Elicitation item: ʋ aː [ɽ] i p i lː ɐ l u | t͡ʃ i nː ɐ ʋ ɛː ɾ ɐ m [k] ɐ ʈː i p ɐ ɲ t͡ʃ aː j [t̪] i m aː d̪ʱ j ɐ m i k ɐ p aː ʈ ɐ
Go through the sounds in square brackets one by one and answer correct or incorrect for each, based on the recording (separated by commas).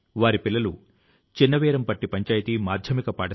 incorrect, incorrect, correct